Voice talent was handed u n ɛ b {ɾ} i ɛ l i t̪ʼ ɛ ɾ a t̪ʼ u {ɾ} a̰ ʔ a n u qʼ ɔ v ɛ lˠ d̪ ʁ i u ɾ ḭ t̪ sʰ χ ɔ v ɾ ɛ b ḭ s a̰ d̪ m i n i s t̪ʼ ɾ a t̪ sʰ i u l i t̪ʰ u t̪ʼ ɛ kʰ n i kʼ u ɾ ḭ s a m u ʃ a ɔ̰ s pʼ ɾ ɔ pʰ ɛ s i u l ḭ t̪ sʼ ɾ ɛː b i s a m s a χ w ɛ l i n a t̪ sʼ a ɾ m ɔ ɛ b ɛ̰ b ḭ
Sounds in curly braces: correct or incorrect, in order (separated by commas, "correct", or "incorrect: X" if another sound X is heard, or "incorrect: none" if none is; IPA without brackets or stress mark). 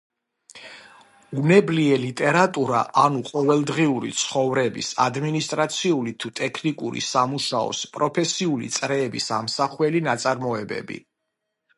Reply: incorrect: l, correct